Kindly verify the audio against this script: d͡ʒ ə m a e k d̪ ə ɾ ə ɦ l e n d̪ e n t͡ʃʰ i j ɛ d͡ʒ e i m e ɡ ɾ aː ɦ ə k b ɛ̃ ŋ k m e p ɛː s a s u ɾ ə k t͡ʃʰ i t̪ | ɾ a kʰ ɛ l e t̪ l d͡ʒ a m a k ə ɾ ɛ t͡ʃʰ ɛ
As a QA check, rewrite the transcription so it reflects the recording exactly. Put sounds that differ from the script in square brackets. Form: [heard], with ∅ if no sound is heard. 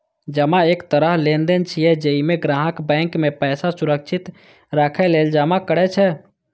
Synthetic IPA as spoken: d͡ʒ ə m a e k [t̪] ə ɾ ə ɦ l e n d̪ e n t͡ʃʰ i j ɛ d͡ʒ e i m e ɡ ɾ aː ɦ ə k b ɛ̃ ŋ k m e p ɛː s a s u ɾ ə k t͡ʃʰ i t̪ | ɾ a kʰ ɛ l e [∅] l d͡ʒ a m a k ə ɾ ɛ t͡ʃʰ ɛ